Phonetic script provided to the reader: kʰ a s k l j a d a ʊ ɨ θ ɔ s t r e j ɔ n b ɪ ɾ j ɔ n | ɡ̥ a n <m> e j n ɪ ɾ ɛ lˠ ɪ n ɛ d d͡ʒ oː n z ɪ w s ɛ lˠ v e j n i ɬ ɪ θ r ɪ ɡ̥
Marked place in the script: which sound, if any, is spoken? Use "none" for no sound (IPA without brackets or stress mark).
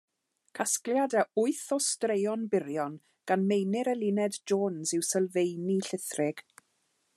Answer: m